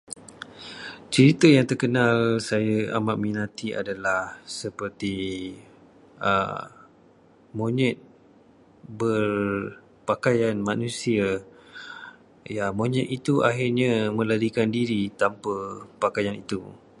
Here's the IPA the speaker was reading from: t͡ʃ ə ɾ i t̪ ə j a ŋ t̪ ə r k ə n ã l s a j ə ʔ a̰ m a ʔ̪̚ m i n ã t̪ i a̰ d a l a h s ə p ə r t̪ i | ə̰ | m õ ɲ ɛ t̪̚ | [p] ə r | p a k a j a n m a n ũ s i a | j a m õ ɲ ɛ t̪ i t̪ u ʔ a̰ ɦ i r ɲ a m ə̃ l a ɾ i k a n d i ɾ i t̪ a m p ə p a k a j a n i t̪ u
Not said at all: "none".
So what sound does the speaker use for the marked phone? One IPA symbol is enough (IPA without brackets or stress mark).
b